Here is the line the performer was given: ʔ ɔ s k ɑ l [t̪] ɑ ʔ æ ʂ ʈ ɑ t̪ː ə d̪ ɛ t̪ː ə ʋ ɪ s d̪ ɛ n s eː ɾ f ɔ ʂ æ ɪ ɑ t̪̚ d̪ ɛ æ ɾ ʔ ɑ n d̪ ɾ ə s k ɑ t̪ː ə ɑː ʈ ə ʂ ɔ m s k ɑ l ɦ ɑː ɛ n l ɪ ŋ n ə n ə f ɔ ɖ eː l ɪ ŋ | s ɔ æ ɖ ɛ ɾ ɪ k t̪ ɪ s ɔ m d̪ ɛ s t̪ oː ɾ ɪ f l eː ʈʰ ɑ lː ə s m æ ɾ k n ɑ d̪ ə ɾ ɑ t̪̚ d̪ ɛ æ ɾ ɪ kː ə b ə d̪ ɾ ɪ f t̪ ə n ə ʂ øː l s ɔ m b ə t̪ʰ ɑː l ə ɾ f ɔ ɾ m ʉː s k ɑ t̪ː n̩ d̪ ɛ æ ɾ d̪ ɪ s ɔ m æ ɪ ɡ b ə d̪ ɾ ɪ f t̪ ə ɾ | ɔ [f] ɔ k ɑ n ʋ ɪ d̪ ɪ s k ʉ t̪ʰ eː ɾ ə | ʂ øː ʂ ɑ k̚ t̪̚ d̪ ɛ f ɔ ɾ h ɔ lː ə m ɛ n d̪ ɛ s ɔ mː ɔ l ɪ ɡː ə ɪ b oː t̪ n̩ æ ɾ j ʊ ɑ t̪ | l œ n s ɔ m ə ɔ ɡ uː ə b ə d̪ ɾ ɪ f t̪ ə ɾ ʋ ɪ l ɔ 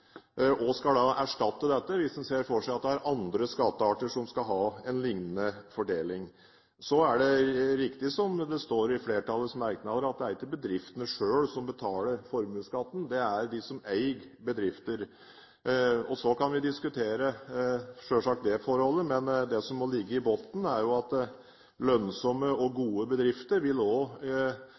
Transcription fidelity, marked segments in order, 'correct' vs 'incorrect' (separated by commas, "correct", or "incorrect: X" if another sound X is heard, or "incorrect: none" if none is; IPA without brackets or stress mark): incorrect: d̪, incorrect: s